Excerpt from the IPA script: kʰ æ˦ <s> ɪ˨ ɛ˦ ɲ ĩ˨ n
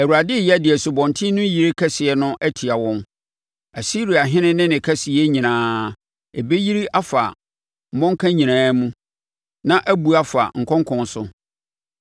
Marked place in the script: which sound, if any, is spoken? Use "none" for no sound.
s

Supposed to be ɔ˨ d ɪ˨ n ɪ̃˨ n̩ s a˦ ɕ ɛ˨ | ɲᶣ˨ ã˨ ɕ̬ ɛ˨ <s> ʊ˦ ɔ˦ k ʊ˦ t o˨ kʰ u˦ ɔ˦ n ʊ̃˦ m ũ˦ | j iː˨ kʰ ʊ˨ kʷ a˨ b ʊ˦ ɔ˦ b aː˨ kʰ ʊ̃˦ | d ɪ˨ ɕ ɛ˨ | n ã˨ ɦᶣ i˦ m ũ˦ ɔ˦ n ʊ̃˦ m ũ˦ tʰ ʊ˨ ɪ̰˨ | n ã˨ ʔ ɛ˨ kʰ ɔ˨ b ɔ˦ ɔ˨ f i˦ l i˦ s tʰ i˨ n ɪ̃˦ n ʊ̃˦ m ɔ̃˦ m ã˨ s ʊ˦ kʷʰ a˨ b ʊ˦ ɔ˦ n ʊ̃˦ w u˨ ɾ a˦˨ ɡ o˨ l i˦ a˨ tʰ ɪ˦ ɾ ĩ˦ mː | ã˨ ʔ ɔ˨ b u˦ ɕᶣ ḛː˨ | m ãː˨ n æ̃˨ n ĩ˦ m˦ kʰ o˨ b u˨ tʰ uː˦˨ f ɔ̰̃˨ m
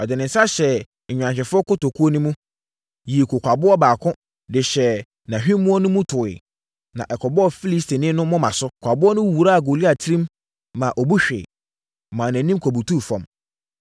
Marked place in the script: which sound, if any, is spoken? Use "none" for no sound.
f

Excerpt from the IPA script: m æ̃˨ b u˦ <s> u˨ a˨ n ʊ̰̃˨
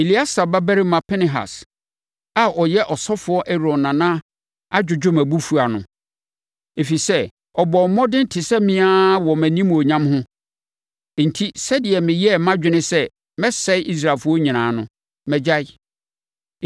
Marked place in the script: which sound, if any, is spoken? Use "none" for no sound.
f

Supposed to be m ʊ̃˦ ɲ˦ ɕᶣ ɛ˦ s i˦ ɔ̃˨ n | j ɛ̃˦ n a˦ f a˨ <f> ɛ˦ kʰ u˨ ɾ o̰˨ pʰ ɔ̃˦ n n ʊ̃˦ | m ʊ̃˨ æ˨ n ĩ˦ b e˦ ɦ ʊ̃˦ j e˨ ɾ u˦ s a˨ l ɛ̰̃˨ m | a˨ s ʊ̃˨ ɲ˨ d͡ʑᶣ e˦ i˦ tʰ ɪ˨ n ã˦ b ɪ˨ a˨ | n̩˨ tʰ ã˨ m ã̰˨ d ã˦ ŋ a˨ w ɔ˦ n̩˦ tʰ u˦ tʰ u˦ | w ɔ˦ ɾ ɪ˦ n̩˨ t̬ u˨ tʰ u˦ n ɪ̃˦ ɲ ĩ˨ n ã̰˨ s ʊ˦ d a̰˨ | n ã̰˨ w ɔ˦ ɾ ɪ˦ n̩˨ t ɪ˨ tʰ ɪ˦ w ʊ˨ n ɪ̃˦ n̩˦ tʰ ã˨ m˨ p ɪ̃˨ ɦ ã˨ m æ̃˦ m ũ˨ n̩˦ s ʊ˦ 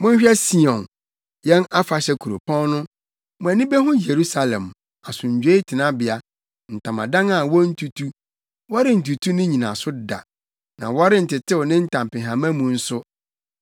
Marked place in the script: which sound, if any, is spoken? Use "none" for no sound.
ɕ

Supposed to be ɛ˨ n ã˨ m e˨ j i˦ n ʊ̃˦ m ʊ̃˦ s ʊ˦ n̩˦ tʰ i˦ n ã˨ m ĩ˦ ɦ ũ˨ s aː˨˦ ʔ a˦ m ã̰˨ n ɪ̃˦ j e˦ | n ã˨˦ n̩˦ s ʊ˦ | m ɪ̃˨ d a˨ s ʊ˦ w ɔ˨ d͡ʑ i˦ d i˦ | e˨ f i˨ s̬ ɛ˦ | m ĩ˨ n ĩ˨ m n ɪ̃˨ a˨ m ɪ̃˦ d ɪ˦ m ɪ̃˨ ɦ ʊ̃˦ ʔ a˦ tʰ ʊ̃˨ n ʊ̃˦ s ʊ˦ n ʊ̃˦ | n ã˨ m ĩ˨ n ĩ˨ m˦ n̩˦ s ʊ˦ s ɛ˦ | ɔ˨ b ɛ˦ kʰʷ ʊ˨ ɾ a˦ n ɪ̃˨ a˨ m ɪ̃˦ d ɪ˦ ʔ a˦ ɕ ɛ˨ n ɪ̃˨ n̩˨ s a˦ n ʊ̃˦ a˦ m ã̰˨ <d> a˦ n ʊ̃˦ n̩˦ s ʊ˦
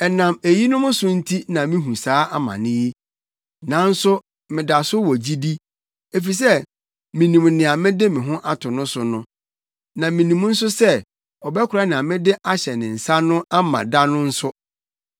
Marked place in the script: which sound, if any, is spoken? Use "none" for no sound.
d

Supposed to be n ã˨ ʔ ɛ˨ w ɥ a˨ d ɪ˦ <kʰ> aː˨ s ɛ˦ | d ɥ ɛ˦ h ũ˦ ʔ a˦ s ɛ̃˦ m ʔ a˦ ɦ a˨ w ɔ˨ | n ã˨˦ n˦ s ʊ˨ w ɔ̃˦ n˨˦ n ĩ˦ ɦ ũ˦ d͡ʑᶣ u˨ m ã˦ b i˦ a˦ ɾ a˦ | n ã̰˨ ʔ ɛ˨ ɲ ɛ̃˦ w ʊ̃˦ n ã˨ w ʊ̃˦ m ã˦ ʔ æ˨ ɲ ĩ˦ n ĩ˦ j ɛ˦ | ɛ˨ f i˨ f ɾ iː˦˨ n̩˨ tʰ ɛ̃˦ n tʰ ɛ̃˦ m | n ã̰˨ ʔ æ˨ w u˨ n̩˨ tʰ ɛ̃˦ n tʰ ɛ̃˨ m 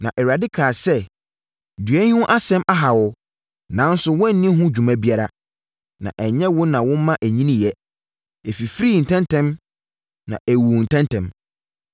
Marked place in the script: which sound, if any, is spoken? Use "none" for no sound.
kʰ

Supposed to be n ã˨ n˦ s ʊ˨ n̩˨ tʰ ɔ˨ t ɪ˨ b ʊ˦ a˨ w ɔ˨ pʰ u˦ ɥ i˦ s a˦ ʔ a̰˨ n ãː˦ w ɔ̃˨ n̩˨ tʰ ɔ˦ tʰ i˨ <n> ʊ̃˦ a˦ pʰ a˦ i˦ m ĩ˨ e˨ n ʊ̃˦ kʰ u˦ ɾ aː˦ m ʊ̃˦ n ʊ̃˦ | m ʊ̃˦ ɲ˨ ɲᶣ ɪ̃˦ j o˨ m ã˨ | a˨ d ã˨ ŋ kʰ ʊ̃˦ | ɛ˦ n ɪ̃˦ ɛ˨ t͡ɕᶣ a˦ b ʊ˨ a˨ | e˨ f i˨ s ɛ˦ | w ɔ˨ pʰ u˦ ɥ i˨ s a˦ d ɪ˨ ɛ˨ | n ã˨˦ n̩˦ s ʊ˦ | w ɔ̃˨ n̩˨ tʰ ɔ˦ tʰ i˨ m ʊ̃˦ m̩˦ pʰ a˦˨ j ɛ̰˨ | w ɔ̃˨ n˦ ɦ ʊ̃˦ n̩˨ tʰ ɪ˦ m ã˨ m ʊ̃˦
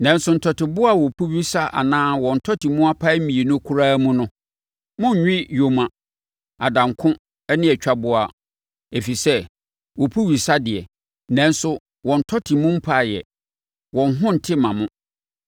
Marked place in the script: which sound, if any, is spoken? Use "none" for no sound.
m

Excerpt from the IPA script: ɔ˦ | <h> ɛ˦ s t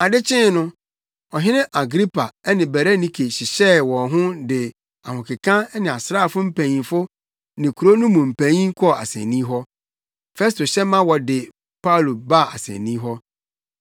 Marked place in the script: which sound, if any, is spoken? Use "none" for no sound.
f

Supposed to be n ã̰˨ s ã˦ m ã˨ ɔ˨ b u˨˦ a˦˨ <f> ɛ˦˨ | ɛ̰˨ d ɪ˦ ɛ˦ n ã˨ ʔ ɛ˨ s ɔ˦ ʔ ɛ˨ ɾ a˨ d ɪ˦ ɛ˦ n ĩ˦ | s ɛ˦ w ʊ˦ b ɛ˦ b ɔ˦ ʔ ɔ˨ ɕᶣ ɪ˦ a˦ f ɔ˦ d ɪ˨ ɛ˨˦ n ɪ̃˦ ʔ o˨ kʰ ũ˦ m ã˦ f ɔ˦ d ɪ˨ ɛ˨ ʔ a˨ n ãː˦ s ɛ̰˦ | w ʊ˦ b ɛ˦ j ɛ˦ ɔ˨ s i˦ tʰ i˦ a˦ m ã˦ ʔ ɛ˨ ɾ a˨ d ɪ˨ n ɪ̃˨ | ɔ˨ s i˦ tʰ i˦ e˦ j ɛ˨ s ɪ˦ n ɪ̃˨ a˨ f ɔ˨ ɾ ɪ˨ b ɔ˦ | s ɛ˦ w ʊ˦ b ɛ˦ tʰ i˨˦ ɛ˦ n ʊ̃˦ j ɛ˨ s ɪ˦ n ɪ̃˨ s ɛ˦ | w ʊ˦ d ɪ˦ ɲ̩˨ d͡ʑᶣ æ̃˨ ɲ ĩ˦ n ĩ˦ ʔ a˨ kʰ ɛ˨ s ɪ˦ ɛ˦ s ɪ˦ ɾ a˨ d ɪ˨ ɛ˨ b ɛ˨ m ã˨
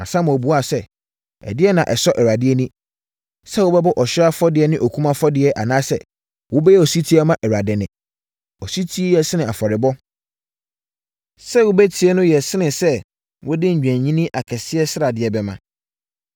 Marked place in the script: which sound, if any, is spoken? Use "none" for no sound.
s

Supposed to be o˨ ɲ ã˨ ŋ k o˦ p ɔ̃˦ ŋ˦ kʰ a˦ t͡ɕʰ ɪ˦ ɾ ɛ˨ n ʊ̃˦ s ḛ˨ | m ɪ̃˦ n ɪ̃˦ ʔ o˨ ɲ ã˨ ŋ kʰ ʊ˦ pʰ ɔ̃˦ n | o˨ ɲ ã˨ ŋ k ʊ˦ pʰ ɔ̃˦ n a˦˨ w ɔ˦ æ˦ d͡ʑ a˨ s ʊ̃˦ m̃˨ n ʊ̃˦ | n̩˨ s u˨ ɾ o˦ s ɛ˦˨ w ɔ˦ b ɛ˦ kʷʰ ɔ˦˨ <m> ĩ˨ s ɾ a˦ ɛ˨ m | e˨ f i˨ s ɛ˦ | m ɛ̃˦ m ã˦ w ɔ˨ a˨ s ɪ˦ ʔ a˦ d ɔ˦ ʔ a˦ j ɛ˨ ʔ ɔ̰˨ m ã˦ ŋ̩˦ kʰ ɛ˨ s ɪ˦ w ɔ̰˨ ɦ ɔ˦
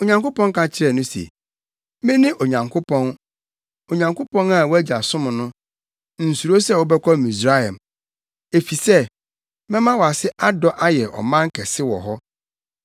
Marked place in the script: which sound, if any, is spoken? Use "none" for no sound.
m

